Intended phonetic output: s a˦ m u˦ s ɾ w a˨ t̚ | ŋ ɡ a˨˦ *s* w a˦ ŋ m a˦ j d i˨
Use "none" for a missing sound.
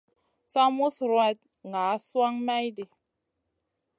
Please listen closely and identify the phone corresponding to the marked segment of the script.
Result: s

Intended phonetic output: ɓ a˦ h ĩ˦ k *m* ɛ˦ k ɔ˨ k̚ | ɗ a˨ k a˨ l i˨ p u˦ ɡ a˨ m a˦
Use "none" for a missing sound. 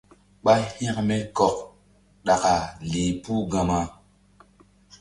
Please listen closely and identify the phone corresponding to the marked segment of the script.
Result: m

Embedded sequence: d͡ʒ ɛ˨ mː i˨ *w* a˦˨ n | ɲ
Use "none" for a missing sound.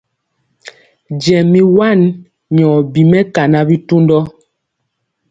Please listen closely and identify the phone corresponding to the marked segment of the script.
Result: w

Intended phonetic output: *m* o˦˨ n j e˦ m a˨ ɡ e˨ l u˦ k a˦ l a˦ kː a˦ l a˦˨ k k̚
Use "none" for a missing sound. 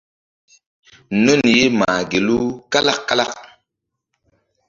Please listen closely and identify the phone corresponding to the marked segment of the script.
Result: n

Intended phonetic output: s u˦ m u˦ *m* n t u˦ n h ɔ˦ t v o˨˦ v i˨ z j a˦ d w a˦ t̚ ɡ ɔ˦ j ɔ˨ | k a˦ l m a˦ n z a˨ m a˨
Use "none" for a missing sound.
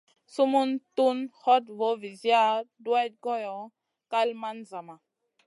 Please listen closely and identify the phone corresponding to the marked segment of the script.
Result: none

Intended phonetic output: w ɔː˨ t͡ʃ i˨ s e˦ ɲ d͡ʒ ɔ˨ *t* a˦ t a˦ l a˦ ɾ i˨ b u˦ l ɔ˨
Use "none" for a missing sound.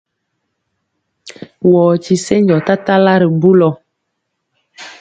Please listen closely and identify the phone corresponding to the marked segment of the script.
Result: t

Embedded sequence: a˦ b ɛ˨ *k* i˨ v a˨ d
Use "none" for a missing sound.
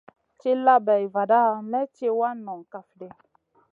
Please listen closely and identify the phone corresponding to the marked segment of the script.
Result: none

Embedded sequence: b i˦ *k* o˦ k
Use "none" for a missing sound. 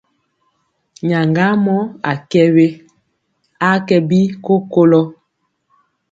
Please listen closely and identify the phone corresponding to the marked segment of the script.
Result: k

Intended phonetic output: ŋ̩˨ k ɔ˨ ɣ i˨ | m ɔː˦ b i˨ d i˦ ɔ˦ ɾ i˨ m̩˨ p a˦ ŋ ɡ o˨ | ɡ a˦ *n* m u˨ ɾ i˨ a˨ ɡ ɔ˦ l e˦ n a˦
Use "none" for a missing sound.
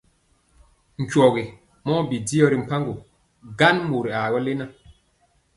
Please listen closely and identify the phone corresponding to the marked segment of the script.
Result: n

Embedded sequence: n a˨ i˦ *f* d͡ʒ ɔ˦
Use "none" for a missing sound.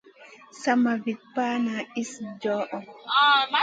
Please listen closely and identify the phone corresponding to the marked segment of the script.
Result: s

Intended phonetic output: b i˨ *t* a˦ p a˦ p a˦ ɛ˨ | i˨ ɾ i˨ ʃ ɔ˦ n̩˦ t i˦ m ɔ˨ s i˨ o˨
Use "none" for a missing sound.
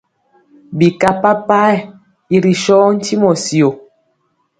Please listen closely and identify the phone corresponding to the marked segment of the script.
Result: k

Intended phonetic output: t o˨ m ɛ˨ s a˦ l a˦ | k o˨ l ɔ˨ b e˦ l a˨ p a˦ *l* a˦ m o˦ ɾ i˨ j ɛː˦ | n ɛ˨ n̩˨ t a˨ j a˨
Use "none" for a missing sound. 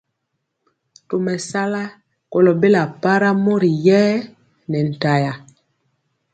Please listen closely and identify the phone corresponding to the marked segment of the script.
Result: ɾ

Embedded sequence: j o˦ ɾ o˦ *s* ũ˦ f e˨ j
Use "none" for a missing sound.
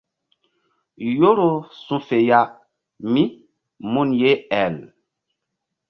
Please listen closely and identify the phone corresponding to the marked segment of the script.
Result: s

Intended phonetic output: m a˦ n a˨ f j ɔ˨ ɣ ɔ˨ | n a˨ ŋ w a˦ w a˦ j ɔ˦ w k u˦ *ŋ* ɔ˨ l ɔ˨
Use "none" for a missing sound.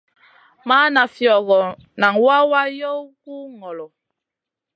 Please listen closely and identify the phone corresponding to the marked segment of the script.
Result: ŋ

